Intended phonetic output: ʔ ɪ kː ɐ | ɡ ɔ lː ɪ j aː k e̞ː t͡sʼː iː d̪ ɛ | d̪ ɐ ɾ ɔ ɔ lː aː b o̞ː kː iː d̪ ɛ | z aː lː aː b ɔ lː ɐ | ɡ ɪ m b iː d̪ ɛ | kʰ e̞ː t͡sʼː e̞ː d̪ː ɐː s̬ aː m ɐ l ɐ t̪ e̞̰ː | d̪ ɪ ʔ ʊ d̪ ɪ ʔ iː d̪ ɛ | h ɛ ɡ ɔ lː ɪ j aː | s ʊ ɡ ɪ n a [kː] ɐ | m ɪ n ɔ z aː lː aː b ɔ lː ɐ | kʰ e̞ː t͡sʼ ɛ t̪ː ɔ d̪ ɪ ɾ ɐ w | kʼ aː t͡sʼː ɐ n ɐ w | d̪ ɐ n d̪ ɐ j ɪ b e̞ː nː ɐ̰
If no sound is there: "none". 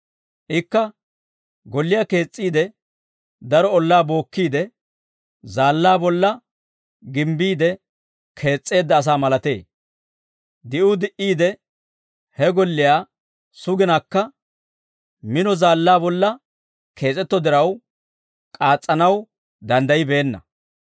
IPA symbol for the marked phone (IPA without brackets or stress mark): kː